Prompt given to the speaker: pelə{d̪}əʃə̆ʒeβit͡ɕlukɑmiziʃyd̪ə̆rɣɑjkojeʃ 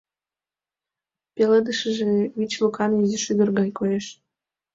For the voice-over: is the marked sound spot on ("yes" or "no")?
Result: yes